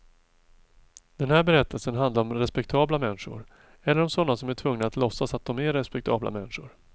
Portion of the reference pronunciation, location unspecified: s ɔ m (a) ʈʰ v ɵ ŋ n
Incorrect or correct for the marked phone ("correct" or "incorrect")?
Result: incorrect